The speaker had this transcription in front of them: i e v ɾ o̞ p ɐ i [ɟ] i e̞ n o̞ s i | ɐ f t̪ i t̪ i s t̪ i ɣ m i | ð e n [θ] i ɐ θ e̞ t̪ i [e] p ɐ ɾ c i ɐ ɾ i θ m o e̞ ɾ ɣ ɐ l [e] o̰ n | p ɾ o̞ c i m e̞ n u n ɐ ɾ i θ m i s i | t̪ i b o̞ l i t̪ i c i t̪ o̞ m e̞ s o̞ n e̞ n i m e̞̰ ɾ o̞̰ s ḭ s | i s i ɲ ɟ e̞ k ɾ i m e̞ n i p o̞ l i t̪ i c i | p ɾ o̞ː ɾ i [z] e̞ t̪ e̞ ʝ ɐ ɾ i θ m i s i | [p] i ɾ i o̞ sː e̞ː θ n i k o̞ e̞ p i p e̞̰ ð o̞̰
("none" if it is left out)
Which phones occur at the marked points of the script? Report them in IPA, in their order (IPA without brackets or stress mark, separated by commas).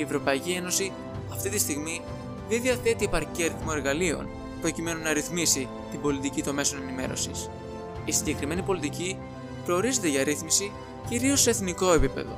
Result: c, ð, e, i, z, c